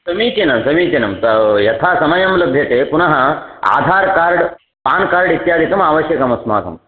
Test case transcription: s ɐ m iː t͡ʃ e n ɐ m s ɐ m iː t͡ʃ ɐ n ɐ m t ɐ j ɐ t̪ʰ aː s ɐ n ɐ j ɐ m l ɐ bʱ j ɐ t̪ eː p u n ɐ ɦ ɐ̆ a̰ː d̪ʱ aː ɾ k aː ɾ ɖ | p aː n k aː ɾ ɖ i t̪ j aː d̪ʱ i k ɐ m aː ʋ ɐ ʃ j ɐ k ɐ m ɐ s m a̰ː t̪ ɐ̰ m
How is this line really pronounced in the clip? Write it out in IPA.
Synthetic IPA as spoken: s ɐ m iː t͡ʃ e n ɐ m s ɐ m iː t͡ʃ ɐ n ɐ m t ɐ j ɐ t̪ʰ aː s ɐ m ɐ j ɐ m l ɐ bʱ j ɐ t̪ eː p u n ɐ ɦ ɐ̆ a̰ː d̪ʱ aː ɾ k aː ɾ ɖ | p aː n k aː ɾ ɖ i t̪ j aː d̪ʱ i k ɐ m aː ʋ ɐ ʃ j ɐ k ɐ m ɐ s m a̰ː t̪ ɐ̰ m

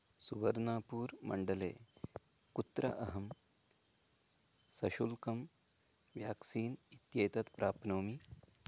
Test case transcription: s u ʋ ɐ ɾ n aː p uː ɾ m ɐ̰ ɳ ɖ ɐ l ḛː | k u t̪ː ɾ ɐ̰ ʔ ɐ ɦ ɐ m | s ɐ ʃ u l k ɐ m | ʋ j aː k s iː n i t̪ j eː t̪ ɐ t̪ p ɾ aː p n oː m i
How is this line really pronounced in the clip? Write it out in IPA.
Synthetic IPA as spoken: s u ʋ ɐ ɾ n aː p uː ɾ m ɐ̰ ɳ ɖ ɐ l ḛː | k u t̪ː ɾ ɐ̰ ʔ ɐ ɦ ɐ m | s ɐ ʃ u l k ɐ m | ʋ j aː k s iː n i t̪ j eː t̪ ɐ t̪ p ɾ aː p n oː m i

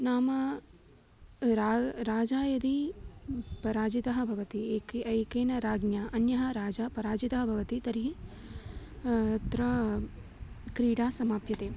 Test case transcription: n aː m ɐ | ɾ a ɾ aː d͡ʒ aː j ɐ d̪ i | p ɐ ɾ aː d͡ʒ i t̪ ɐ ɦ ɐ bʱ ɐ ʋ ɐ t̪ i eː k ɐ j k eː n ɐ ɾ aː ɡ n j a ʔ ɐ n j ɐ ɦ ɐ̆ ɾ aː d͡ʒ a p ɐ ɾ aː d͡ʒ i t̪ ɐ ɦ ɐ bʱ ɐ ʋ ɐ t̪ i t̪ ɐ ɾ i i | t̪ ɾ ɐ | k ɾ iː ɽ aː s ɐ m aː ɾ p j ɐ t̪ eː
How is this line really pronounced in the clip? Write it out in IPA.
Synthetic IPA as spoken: n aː m ɐ | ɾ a ɾ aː d͡ʒ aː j ɐ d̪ i | p ɐ ɾ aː d͡ʒ i t̪ ɐ ɦ ɐ bʱ ɐ ʋ ɐ t̪ i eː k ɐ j k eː n ɐ ɾ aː ɡ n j a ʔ ɐ n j ɐ ɦ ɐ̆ ɾ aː d͡ʒ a p ɐ ɾ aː d͡ʒ i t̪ ɐ ɦ ɐ bʱ ɐ ʋ ɐ t̪ i t̪ ɐ ɾ i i | t̪ ɾ ɐ | k ɾ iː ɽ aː s ɐ m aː p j ɐ t̪ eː

